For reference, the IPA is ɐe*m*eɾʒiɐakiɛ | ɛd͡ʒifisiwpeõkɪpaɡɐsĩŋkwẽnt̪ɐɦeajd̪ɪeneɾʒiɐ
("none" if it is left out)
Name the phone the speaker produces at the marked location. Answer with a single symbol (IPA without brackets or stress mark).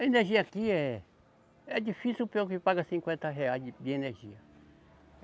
n